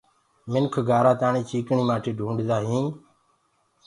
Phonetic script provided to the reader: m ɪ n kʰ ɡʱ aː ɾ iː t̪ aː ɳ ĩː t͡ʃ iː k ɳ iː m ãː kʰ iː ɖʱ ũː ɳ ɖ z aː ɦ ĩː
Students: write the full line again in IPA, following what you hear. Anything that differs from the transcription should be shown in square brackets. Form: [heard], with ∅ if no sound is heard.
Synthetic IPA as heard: m ɪ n kʰ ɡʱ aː ɾ [aː] t̪ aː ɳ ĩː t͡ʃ iː k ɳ iː m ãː [ʈʰ] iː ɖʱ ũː ɳ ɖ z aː ɦ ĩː